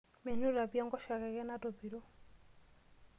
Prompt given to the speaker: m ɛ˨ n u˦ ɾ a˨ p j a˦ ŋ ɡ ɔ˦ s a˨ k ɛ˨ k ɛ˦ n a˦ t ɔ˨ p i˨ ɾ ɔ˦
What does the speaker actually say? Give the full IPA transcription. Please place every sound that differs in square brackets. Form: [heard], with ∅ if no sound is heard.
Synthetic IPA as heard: m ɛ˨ n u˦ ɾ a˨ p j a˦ ŋ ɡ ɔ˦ [ʃ] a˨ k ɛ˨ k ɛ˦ n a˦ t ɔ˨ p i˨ ɾ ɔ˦

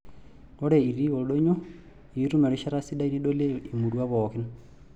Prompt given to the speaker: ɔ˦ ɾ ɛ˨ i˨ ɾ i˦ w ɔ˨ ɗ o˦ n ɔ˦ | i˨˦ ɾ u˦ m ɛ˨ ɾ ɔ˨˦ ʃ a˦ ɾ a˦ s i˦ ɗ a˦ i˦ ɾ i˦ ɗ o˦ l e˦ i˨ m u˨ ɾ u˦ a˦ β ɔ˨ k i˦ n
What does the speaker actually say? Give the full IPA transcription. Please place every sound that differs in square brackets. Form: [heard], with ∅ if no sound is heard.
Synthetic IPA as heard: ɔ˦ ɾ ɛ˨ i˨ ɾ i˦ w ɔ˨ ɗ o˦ [ɲ] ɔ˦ | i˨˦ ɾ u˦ m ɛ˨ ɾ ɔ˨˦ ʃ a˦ ɾ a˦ s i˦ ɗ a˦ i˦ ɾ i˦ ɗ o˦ l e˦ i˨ m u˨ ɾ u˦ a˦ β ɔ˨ k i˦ n

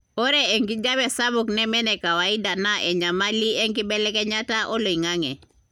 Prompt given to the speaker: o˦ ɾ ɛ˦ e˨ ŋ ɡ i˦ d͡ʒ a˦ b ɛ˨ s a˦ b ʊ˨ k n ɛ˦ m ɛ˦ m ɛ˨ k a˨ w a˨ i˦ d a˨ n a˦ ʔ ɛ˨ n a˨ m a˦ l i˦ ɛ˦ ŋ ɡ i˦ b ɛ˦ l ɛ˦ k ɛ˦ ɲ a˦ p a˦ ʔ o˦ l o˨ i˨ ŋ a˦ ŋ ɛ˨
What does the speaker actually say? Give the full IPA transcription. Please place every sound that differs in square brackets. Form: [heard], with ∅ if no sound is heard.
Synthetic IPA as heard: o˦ ɾ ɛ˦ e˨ ŋ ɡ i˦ d͡ʒ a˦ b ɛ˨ s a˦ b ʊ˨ k n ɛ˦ m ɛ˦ [n] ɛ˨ k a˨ w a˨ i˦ d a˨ n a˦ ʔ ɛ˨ [ɲ] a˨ m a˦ l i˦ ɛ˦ ŋ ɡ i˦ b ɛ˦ l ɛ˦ k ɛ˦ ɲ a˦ [t] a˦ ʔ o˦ l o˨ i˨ ŋ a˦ ŋ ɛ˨

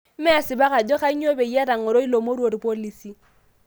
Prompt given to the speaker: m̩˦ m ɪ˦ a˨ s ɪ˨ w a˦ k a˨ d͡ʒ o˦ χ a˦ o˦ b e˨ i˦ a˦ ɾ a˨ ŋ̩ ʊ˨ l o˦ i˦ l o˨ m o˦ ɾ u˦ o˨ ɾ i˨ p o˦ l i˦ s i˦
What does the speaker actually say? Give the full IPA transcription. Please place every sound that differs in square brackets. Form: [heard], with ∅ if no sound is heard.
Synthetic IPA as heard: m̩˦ m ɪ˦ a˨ s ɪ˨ [b] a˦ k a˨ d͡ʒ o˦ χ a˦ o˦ b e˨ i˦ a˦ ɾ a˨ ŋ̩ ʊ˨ [ɾ] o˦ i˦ l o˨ m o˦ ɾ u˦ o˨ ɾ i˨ p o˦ l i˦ s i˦

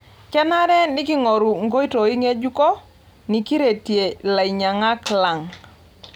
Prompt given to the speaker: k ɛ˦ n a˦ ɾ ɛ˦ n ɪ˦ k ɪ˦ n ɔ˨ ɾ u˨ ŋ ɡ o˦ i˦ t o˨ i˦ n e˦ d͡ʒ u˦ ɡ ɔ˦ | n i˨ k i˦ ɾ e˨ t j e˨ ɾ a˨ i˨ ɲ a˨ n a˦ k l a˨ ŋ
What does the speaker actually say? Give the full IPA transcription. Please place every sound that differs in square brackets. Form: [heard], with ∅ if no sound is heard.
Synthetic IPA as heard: k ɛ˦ n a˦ ɾ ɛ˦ n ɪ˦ k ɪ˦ [ŋ] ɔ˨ ɾ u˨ ŋ ɡ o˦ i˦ t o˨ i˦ [ŋ] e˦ d͡ʒ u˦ [k] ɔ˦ | n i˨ k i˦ ɾ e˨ t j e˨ [l] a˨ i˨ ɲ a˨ [ŋ] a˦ k l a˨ ŋ

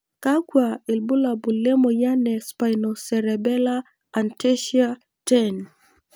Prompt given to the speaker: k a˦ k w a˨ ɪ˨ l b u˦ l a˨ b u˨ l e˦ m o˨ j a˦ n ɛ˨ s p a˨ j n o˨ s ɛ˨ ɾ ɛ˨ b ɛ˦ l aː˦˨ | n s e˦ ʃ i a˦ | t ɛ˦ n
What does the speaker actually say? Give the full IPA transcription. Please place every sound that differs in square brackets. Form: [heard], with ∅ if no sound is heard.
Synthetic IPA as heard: k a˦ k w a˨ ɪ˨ l b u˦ l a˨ b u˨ l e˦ m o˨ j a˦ n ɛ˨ s p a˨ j n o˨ s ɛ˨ ɾ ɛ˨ b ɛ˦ l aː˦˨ | n [t] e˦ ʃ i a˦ | t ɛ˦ n

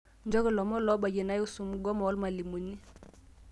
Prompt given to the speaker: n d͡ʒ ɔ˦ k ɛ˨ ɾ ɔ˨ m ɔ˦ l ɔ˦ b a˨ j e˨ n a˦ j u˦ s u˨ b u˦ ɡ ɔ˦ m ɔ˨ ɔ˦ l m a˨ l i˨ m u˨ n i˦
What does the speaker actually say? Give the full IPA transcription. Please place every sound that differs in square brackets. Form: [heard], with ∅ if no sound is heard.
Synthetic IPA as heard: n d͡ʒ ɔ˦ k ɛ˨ [l] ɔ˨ m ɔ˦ l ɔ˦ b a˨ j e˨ n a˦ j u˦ s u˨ [m] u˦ ɡ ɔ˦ m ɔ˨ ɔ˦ l m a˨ l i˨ m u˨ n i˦

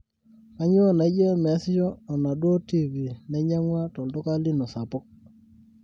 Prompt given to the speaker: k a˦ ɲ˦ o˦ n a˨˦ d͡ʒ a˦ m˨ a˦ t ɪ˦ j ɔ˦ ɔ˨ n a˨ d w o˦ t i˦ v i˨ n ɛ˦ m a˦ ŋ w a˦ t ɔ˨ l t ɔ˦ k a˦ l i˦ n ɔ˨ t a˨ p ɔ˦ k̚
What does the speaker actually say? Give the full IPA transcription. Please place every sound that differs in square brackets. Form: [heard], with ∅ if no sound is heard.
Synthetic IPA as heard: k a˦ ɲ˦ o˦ n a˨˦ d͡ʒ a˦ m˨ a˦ [s] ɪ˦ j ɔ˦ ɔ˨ n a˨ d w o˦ t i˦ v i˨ n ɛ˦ [ɲ] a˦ ŋ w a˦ t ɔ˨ l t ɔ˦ k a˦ l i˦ n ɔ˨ [s] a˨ p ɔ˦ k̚

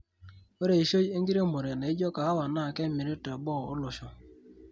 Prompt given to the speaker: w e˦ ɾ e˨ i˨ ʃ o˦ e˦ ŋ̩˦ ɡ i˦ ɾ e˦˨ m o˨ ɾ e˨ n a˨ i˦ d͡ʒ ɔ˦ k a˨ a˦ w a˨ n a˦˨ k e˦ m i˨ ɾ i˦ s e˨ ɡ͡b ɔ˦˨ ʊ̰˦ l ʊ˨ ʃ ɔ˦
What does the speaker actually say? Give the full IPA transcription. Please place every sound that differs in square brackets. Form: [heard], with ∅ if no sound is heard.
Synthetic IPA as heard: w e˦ ɾ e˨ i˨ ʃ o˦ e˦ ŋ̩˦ ɡ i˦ ɾ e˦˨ m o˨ ɾ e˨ n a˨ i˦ d͡ʒ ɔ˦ k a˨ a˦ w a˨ n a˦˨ k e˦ m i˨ ɾ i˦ [t] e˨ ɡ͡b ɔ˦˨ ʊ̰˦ l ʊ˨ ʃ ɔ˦

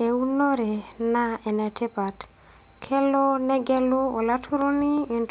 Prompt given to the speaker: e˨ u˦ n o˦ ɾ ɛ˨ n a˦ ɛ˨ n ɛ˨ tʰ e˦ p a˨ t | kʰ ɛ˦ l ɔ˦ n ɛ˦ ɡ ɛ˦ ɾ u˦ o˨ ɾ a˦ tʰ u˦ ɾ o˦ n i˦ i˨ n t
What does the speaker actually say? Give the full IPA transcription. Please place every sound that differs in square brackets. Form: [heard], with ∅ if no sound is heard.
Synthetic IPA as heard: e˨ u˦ n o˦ ɾ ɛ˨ n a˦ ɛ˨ n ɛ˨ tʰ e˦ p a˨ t | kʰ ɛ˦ l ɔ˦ n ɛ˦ ɡ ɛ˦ [l] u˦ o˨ [l] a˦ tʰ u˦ ɾ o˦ n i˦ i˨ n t

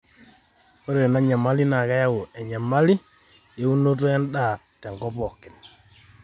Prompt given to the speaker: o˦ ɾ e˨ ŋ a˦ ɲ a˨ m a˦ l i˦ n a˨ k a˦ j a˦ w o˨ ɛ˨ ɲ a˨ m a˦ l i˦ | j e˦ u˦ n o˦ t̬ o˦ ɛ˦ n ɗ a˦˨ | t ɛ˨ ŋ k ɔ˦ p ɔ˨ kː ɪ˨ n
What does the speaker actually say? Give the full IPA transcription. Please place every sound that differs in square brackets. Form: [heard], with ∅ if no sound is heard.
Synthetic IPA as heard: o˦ ɾ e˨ [n] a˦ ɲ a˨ m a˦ l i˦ n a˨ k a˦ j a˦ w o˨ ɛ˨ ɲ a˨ m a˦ l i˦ | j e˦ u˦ n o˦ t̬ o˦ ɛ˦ n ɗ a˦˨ | t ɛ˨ ŋ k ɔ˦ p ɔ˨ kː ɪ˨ n

